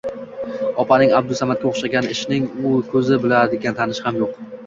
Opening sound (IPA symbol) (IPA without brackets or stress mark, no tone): ɒ